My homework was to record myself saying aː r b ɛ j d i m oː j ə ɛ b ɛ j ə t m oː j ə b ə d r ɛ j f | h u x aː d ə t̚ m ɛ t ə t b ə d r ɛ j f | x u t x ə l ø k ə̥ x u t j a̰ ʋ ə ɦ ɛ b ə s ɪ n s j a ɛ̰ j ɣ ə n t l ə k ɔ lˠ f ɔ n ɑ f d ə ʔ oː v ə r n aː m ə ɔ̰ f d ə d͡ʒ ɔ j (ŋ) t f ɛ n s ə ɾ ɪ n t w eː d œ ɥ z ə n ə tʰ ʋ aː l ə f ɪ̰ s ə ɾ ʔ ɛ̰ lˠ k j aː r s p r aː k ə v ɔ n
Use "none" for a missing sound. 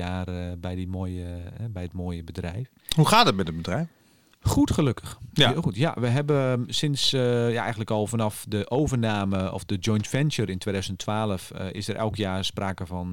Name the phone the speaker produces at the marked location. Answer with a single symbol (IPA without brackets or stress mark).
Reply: n